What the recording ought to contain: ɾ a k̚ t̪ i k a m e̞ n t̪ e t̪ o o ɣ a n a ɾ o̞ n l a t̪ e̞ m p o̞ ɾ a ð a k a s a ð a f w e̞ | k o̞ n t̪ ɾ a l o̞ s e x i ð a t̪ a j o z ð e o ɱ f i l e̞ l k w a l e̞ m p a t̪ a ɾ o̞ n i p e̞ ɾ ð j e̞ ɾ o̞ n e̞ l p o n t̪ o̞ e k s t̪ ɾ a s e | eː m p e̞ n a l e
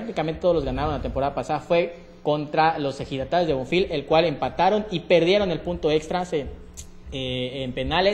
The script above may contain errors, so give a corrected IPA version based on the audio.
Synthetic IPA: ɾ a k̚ t̪ i k a m e̞ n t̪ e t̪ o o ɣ a n a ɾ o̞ n l a t̪ e̞ m p o̞ ɾ a ð a p a s a ð a f w e̞ | k o̞ n t̪ ɾ a l o̞ s e x i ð a t̪ a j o z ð e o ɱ f i l e̞ l k w a l e̞ m p a t̪ a ɾ o̞ n i p e̞ ɾ ð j e̞ ɾ o̞ n e̞ l p u n t̪ o̞ e k s t̪ ɾ a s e | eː m p e̞ n a l e

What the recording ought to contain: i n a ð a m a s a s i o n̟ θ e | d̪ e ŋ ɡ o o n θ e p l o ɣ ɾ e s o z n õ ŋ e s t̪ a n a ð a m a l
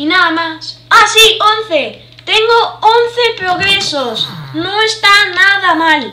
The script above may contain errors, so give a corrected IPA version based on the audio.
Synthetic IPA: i n a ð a m a s a s i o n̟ θ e | t̪ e ŋ ɡ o o n θ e p ɾ o ɣ ɾ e s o s n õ ŋ e s t̪ a n a ð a m a l

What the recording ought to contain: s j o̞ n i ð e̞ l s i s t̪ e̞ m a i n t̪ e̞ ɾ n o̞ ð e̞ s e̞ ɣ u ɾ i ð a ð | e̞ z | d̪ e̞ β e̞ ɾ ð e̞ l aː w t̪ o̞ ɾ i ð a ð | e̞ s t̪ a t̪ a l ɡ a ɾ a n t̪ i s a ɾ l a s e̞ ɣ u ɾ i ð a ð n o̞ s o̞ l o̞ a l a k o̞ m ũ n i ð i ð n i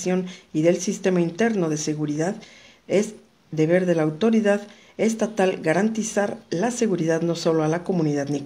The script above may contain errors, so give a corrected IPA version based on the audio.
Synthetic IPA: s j o̞ n i ð e̞ l s i s t̪ e̞ m a i n t̪ e̞ ɾ n o̞ ð e̞ s e̞ ɣ u ɾ i ð a ð | e̞ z | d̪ e̞ β e̞ ɾ ð e̞ l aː w t̪ o̞ ɾ i ð a ð | e̞ s t̪ a t̪ a l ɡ a ɾ a n t̪ i s a ɾ l a s e̞ ɣ u ɾ i ð a ð n o̞ s o̞ l o̞ a l a k o̞ m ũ n i ð a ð n i

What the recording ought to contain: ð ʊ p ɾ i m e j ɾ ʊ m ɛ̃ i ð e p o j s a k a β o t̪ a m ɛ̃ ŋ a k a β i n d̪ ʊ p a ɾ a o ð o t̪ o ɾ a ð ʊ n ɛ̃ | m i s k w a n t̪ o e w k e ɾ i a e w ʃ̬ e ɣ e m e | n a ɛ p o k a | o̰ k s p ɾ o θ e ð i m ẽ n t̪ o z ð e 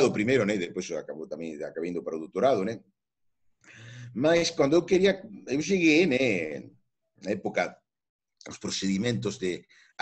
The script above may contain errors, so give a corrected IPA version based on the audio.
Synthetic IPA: ð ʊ p ɾ i m e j ɾ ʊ n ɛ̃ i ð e p o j s a k a β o t̪ a m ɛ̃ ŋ a k a β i n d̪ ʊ p a ɾ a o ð o t̪ o ɾ a ð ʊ n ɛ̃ | m a s k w a n d̪ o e w k e ɾ i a e w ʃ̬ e ɣ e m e | n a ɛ p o k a | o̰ s p ɾ o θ e ð i m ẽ n t̪ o z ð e

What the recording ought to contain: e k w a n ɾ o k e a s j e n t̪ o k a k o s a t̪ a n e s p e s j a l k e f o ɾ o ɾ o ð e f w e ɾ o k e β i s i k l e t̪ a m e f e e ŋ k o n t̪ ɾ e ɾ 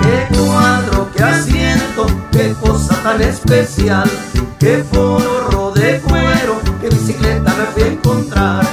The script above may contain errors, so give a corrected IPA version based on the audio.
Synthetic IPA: e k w a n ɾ o k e a s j e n t̪ o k e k o s a t̪ a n e s p e s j a l k e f o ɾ o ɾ o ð e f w e ɾ o k e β i s i k l e t̪ a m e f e e ŋ k o n t̪ ɾ a ɾ

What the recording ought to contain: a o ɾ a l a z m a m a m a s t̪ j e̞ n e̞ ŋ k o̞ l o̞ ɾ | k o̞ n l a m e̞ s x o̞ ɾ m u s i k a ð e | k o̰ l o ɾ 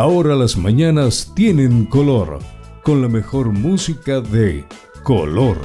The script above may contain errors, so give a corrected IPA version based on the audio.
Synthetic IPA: a o ɾ a l a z m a ɲ a n a s t̪ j e̞ n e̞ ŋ k o̞ l o̞ ɾ | k o̞ n l a m e̞ x o̞ ɾ m u s i k a ð e | k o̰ l o ɾ

